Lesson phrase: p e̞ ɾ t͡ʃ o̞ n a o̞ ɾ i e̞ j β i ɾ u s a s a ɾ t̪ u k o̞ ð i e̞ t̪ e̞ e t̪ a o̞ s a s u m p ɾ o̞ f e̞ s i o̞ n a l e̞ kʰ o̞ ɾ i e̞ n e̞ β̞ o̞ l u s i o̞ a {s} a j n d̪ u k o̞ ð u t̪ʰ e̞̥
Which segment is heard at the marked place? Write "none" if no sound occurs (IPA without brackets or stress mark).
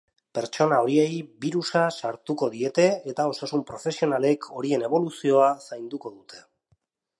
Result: s